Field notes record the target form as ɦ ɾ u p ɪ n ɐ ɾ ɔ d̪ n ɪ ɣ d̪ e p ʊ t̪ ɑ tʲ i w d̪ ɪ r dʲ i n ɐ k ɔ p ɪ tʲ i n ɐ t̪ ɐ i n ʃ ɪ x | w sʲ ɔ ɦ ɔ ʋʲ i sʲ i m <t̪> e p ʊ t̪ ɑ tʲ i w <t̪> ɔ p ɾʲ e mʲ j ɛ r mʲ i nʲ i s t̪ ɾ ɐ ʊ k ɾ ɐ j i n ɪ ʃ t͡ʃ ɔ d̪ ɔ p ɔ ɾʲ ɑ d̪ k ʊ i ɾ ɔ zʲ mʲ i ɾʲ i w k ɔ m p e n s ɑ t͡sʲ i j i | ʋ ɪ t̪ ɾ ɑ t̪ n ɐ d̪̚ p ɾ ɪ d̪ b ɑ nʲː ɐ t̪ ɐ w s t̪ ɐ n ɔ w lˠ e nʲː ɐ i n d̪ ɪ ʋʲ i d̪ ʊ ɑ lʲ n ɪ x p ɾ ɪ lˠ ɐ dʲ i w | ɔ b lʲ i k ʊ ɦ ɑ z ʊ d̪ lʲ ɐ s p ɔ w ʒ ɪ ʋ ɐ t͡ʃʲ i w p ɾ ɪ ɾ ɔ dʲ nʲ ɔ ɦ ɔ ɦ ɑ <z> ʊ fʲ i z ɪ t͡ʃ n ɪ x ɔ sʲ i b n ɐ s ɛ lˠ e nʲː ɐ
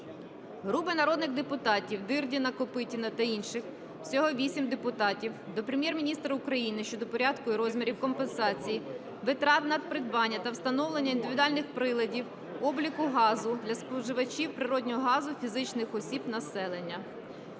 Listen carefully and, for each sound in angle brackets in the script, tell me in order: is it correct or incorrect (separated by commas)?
incorrect, incorrect, correct